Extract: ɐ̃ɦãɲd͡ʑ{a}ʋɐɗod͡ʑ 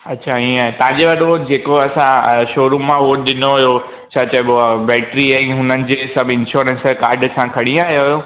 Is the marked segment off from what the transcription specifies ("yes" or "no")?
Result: yes